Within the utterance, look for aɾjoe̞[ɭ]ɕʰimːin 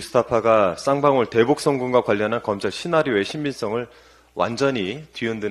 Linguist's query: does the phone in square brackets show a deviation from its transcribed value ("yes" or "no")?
yes